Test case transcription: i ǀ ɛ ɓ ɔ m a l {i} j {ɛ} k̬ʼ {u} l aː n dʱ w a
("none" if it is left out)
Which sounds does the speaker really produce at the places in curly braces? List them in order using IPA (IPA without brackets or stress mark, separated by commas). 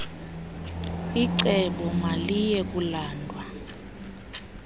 i, ɛ, u